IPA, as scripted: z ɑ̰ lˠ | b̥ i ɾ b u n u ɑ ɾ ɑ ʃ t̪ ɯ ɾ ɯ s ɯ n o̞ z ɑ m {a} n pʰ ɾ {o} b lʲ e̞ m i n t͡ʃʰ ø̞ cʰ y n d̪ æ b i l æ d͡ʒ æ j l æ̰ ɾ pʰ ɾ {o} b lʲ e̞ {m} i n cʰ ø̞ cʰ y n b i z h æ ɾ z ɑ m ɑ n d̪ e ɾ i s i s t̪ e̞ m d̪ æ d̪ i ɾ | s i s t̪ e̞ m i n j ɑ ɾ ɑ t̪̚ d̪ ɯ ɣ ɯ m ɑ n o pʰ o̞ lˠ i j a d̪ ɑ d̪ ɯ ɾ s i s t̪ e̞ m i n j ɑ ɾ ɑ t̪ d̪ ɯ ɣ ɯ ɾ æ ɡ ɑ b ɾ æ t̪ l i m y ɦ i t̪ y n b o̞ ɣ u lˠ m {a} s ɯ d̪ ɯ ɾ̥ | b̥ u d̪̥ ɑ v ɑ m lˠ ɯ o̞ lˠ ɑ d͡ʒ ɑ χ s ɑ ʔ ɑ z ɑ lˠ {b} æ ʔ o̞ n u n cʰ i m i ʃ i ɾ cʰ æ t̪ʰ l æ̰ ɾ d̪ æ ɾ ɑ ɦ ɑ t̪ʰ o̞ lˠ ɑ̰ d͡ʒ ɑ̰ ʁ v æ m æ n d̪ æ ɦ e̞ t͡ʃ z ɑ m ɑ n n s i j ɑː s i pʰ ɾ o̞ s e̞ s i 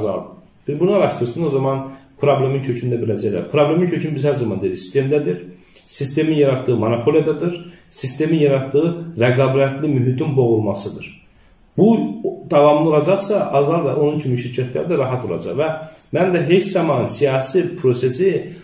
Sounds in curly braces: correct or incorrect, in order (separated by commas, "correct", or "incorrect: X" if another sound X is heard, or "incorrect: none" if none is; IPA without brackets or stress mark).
incorrect: ɑ, correct, correct, correct, incorrect: ɑ, incorrect: v